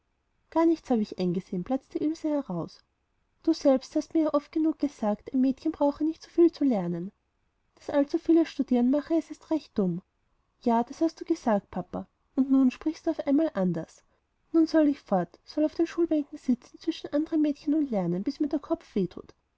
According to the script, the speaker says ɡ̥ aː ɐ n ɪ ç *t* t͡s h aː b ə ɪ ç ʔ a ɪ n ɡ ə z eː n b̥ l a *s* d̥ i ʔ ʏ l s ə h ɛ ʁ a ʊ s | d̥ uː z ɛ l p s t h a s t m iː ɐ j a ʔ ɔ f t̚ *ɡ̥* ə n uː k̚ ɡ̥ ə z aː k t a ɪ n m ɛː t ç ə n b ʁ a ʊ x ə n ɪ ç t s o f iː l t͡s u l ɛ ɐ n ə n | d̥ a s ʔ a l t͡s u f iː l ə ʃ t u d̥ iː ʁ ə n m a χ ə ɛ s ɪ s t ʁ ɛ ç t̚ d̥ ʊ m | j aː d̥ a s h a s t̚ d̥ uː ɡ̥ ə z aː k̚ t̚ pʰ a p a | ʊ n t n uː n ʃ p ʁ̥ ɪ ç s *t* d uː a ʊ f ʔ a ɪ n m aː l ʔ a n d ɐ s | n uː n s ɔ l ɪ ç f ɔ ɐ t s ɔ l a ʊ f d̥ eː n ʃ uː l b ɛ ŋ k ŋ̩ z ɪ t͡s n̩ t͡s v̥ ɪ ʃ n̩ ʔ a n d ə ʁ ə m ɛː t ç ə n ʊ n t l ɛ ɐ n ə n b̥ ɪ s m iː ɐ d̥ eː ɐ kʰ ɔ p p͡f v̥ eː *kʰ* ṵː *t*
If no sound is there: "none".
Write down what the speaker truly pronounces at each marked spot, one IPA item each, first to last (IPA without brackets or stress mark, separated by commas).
t, t͡s, ɡ̥, t, tʰ, t